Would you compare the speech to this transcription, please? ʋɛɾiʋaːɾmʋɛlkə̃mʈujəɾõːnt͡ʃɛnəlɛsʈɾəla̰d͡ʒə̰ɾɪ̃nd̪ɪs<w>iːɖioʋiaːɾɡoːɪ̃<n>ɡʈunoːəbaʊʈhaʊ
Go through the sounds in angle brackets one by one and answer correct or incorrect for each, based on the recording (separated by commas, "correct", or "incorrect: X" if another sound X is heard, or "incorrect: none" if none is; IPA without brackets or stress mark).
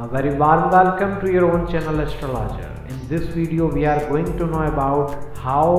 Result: incorrect: ʋ, incorrect: ŋ